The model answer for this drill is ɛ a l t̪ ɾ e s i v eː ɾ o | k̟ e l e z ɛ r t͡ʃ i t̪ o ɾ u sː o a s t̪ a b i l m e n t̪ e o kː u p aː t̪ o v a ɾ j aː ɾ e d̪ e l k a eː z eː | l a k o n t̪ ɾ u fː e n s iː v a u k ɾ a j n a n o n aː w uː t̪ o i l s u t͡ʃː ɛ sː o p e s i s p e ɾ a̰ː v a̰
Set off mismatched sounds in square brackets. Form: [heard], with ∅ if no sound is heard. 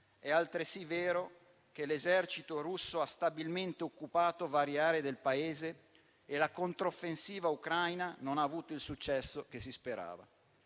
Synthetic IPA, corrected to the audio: ɛ a l t̪ ɾ e s i v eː ɾ o | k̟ e l e z ɛ r t͡ʃ i t̪ o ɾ u sː o a s t̪ a b i l m e n t̪ e o kː u p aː t̪ o v a ɾ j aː ɾ e d̪ e l [p] a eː z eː | l a k o n t̪ ɾ [o] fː e n s iː v a u k ɾ a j n a n o n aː [v] uː t̪ o i l s u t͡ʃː ɛ sː o [k] e s i s p e ɾ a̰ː v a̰